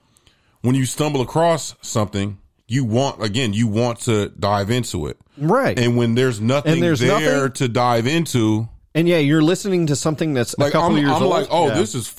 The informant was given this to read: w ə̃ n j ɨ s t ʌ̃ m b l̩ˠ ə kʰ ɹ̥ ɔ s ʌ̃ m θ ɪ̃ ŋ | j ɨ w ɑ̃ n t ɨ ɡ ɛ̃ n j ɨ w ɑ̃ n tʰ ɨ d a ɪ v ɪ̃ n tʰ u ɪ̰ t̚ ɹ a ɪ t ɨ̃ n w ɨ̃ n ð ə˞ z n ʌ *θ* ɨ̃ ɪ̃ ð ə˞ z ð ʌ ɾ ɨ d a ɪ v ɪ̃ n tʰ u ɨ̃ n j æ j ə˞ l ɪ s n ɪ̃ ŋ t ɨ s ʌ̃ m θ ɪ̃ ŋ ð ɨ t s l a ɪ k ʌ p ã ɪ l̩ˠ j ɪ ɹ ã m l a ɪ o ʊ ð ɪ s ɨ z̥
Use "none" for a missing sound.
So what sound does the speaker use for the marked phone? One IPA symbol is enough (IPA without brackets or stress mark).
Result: θ